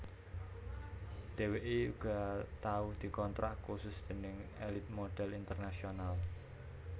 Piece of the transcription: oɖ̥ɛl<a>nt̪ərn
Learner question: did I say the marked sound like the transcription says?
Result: no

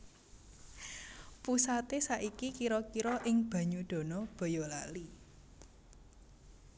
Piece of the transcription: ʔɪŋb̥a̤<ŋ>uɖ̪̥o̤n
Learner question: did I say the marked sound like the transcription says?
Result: no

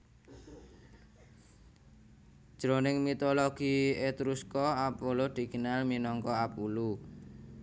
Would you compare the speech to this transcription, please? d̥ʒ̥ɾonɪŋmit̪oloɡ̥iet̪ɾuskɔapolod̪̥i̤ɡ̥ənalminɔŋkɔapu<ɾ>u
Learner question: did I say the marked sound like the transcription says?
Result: no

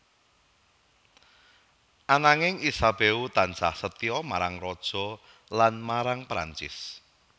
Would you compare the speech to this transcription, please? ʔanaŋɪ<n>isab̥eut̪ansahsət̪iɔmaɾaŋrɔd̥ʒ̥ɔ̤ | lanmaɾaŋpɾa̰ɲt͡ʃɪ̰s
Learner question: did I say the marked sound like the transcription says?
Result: no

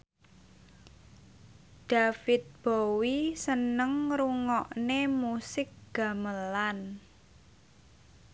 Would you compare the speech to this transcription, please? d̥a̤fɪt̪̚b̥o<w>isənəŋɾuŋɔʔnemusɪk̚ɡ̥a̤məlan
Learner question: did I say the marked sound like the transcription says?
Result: yes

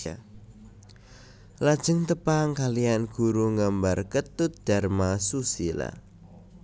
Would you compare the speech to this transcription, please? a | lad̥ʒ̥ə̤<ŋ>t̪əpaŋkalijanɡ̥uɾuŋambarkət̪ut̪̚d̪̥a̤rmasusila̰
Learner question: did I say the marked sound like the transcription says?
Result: yes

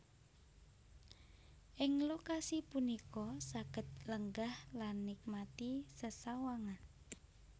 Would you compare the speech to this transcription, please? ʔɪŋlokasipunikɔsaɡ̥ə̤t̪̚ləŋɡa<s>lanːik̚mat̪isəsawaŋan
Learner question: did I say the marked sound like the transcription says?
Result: no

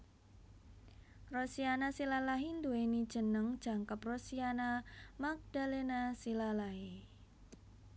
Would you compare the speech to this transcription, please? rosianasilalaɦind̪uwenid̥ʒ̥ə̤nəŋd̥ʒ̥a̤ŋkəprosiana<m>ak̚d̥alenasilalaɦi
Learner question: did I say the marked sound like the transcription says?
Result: yes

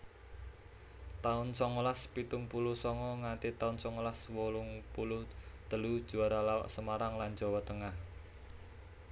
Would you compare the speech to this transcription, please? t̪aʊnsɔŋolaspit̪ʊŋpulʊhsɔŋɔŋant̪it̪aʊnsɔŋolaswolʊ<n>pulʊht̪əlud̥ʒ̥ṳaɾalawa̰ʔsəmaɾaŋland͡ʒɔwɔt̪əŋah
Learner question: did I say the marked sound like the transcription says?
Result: no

